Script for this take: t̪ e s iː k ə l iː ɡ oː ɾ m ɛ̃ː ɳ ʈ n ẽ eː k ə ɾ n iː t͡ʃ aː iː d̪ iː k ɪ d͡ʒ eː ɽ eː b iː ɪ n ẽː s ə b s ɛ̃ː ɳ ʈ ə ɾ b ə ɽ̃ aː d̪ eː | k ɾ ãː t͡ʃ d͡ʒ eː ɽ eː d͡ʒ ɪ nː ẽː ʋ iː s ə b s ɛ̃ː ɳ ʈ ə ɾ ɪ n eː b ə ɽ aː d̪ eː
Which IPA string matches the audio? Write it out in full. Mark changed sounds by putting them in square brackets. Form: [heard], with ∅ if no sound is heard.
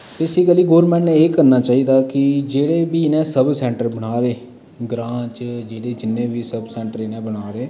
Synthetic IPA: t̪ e s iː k ə l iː ɡ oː ɾ m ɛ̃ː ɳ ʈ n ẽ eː k ə ɾ n [aː] t͡ʃ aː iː d̪ [aː] k ɪ d͡ʒ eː ɽ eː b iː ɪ n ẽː s ə b s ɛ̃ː ɳ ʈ ə ɾ b ə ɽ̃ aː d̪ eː | [ɡ] ɾ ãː t͡ʃ d͡ʒ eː ɽ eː d͡ʒ ɪ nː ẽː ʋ iː s ə b s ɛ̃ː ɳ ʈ ə ɾ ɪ n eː b ə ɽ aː d̪ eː